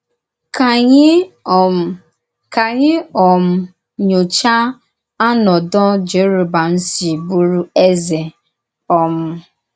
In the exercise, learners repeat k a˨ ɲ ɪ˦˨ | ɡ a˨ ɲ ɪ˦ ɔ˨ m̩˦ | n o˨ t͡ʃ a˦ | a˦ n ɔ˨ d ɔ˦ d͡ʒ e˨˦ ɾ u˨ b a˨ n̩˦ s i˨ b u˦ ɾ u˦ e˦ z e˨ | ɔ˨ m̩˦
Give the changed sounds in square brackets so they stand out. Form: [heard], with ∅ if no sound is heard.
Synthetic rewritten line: k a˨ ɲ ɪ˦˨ | [k] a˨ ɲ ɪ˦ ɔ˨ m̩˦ | [ɲ] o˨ t͡ʃ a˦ | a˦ n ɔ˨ d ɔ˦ d͡ʒ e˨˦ ɾ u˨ b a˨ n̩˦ s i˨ b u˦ ɾ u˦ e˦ z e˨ | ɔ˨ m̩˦

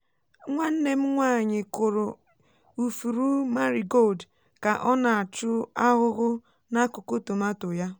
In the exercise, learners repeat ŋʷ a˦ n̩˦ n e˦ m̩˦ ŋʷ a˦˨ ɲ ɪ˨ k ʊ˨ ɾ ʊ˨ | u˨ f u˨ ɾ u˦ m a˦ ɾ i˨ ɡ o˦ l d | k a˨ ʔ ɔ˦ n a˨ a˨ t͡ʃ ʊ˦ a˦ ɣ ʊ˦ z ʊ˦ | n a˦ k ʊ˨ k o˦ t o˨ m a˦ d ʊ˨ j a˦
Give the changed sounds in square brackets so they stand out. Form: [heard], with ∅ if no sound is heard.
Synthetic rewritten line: ŋʷ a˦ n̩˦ n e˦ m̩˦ ŋʷ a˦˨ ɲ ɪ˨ k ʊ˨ ɾ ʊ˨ | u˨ f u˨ ɾ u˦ m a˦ ɾ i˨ ɡ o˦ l d | k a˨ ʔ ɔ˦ n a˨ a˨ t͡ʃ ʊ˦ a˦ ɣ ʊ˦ [ɣ] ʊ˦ | n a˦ k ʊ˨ k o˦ t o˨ m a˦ [t] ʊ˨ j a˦

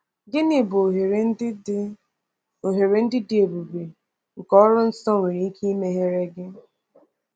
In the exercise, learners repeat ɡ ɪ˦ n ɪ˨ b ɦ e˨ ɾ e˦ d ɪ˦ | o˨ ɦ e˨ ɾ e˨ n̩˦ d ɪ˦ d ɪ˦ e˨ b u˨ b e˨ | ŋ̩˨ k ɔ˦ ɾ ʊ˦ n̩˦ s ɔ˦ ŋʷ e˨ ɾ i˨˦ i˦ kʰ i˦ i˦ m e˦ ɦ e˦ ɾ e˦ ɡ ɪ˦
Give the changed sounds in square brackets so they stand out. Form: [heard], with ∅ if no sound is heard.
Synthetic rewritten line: ɡ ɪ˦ n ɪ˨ b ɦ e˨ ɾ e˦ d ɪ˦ | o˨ ɦ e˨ ɾ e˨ n̩˦ d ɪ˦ d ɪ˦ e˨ b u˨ b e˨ | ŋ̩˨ k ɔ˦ ɾ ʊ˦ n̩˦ s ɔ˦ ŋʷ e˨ ɾ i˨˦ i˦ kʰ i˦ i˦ m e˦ ɦ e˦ ɾ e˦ ɡ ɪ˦

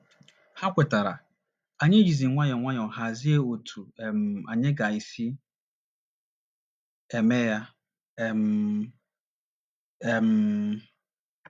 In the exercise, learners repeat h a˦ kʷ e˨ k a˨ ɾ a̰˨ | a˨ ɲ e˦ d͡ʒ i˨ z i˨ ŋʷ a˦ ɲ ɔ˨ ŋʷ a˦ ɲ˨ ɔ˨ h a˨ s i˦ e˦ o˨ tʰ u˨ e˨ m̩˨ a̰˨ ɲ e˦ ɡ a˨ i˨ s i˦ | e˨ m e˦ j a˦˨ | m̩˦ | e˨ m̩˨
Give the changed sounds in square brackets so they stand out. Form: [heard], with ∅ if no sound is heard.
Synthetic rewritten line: h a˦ kʷ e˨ [t] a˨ ɾ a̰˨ | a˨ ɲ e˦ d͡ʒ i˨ z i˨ ŋʷ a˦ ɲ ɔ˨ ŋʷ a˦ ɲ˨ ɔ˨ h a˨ [z] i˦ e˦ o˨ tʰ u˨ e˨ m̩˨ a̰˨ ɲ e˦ ɡ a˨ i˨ s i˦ | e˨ m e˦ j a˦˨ | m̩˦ | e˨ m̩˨

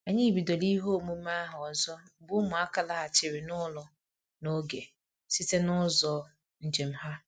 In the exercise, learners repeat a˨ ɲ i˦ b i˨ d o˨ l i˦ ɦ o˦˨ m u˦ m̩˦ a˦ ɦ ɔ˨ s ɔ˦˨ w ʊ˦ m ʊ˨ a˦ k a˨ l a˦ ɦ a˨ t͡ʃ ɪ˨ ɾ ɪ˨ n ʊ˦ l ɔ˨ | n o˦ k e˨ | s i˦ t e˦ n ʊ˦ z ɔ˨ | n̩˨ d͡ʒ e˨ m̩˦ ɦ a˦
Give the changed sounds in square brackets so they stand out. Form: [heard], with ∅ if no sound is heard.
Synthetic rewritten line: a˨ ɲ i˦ b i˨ d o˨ l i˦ ɦ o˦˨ m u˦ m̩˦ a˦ ɦ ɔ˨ [z] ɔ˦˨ [b] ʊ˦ m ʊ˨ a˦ k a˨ l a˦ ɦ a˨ t͡ʃ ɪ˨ ɾ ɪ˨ n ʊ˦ l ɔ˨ | n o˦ [ɡ] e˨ | s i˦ t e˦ n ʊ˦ z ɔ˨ | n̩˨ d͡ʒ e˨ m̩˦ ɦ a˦

